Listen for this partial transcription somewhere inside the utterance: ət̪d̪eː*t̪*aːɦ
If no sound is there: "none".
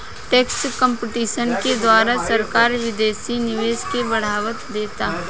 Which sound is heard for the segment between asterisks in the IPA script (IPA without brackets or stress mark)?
t̪